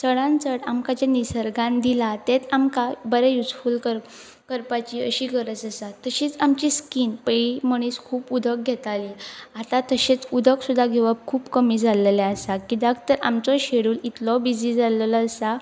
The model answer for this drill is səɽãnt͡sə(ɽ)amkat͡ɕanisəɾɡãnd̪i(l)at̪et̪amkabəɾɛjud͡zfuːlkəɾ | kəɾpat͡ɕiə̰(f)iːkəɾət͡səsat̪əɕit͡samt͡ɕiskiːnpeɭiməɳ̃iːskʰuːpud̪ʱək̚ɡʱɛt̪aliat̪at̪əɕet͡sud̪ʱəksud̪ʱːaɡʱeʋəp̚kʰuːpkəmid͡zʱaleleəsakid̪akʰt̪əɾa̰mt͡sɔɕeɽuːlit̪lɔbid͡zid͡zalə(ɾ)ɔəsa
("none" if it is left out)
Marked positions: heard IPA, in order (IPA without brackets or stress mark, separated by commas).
ɽ, l, ɕ, l